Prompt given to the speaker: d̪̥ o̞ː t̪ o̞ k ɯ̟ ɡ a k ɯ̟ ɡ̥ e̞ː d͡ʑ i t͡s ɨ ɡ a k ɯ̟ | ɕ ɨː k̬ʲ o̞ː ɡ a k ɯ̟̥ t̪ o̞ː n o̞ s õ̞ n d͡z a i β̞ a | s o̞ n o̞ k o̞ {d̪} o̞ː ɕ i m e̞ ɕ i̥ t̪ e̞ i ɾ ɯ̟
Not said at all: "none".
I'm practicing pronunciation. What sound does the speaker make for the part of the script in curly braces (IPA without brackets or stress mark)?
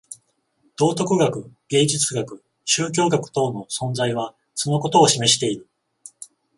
t̪